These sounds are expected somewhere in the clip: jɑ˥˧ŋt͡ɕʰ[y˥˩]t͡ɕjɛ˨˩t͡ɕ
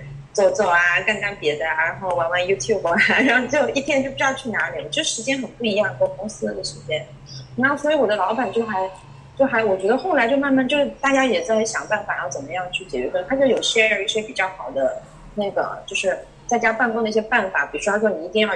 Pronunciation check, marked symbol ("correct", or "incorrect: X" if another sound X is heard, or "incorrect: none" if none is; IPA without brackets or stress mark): correct